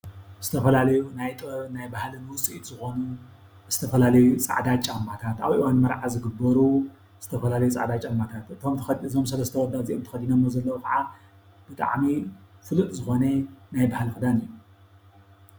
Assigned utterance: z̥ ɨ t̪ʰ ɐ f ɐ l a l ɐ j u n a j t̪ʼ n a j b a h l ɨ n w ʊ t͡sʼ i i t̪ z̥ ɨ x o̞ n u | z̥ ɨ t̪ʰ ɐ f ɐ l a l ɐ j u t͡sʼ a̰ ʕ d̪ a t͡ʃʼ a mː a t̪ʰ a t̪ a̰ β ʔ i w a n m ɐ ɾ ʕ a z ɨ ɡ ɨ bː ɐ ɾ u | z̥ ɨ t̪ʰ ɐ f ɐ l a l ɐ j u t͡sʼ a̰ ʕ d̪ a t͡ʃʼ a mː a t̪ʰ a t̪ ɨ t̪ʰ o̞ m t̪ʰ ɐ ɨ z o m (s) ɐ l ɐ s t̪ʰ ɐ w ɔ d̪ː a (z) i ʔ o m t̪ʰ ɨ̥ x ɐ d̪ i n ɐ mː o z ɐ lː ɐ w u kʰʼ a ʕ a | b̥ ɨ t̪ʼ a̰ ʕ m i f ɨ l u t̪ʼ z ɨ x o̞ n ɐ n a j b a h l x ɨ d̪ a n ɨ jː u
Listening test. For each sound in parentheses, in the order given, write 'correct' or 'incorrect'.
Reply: correct, correct

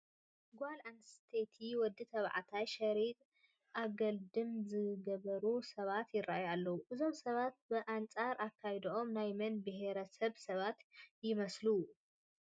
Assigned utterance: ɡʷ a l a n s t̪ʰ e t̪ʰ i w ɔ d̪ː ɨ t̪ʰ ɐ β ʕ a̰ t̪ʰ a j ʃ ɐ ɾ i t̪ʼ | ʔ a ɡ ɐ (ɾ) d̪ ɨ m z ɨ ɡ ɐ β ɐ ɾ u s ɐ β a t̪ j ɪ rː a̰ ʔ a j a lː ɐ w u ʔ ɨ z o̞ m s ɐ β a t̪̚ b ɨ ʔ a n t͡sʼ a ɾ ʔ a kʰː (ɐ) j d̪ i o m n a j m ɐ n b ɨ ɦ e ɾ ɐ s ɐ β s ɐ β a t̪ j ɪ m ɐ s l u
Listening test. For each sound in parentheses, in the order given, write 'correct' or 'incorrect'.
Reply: incorrect: l, incorrect: a

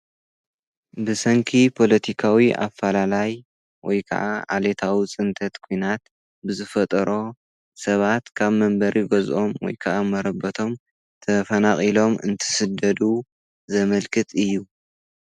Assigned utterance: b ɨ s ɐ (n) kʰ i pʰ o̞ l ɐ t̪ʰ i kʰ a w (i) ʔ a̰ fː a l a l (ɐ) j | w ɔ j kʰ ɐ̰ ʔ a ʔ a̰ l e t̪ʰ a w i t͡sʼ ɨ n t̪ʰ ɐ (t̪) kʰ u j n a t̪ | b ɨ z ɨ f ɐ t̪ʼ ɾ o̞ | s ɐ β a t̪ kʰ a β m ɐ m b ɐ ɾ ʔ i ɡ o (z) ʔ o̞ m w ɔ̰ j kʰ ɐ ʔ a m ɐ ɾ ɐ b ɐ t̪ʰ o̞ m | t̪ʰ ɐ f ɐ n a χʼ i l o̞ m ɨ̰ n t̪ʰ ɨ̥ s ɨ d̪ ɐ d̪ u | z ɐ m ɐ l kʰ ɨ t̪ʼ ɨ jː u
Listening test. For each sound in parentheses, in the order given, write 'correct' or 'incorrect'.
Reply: incorrect: ŋ, correct, incorrect: a, correct, correct

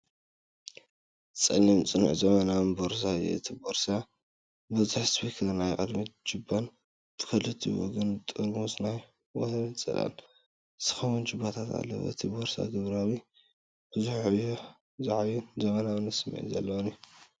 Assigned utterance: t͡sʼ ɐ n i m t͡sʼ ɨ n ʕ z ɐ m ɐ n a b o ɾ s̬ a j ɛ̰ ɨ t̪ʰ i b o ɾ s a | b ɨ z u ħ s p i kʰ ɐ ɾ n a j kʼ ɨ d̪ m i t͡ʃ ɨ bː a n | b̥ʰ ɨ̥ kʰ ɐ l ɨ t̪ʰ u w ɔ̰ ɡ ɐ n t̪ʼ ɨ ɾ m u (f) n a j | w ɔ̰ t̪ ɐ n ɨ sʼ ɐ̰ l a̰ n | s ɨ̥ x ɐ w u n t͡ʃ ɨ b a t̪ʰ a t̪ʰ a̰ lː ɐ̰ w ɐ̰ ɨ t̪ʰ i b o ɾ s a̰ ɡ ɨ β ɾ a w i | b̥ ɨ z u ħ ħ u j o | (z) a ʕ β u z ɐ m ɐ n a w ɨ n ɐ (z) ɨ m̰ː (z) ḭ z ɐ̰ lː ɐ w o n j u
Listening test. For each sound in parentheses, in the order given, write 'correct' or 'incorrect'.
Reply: incorrect: s, correct, incorrect: s, incorrect: ʕ

